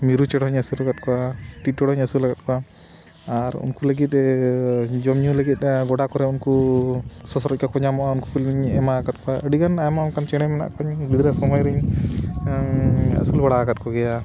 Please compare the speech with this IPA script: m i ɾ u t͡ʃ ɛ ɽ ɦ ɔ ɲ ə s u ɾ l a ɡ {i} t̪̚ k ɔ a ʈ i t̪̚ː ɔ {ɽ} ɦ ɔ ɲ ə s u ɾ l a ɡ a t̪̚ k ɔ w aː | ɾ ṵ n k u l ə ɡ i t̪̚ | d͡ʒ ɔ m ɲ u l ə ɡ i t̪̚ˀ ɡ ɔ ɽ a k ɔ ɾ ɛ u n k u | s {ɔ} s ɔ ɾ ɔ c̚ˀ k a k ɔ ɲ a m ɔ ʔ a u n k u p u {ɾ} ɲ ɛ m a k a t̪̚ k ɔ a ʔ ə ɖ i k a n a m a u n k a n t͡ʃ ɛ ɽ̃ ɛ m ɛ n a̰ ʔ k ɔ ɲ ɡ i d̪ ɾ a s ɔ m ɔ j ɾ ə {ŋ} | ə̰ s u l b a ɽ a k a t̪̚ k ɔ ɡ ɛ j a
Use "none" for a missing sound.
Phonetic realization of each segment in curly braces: a, ɽ, ɔ, l, ɲ

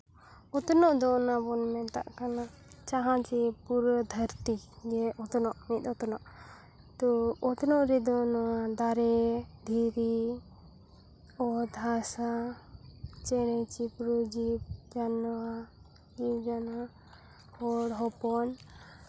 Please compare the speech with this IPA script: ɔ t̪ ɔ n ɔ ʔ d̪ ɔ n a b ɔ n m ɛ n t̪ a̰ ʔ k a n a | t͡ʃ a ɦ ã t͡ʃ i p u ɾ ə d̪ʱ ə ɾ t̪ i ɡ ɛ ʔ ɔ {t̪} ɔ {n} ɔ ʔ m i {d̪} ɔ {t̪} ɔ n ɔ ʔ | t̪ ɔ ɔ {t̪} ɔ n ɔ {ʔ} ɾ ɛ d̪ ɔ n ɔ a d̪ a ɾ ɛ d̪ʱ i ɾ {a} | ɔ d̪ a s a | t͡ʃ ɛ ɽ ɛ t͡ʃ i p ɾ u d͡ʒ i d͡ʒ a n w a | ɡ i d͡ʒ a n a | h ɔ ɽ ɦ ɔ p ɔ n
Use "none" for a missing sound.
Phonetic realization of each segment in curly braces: t̪, n, t̪, t̪, t̪, ʔ, i

